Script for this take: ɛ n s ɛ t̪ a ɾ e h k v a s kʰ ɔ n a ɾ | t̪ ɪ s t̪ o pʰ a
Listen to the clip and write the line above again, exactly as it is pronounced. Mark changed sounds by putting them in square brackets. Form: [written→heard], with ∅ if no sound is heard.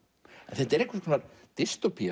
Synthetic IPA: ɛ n [s→θ] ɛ t̪ [a→ɛ] ɾ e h k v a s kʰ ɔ n a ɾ | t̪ ɪ s t̪ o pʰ [a→i]